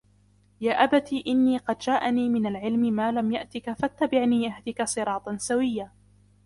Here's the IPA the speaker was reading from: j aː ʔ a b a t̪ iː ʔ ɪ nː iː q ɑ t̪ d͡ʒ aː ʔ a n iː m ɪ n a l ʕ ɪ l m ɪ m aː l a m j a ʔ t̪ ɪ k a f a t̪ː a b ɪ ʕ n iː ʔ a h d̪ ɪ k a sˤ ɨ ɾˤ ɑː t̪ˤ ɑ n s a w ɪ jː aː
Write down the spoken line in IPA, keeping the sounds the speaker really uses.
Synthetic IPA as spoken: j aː ʔ a b a t̪ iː ʔ ɪ nː iː q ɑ d̪ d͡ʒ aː ʔ a n iː m ɪ n a l ʕ ɪ l m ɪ m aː l a m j a ʔ t̪ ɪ k a f a t̪ː a b ɪ ʕ n iː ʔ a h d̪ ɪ k a sˤ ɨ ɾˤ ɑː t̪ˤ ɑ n s a w ɪ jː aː